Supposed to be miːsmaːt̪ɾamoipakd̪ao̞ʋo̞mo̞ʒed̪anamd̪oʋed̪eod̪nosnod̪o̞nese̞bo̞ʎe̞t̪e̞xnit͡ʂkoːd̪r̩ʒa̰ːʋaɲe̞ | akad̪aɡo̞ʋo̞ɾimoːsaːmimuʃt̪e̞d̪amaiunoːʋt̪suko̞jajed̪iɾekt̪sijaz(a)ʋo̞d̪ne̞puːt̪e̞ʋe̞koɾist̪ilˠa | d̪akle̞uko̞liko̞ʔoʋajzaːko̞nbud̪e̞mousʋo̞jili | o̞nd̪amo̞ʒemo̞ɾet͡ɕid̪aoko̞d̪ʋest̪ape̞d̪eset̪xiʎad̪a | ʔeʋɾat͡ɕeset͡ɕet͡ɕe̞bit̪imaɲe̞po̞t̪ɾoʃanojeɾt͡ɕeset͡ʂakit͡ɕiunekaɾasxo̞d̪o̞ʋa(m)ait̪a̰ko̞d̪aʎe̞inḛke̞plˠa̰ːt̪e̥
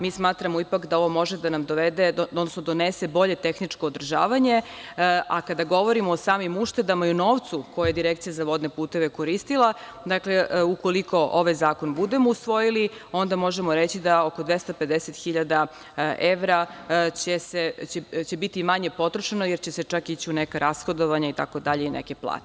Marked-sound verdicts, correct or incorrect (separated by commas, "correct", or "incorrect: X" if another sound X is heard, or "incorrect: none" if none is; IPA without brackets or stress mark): correct, incorrect: ɲ